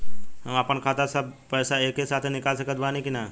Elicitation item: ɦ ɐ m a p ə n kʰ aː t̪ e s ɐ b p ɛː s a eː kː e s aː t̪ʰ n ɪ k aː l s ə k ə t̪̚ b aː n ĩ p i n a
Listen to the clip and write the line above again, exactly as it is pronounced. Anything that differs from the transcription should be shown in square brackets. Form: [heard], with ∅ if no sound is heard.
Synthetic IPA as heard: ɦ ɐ m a p ə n kʰ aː t̪ [a] s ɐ b p ɛː s a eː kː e s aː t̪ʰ n ɪ k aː l s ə k ə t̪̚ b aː n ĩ [k] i n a